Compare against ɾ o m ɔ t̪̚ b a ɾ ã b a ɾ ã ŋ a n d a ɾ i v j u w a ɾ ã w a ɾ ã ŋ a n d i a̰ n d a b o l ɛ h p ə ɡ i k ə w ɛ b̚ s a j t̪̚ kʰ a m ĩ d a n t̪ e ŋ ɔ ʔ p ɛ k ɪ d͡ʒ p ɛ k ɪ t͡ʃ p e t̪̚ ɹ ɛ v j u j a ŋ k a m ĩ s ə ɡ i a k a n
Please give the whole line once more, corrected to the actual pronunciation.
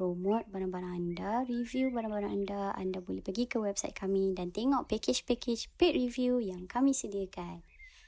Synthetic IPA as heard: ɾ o m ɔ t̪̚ b a ɾ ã b a ɾ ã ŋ a n d a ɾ i v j u b a ɾ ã b a ɾ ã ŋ a n d a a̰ n d a b o l ɛ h p ə ɡ i k ə w ɛ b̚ s a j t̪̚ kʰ a m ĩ d a n t̪ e ŋ ɔ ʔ p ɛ k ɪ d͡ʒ p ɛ k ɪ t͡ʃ p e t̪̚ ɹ i v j u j a ŋ k a m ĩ s ə d i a k a n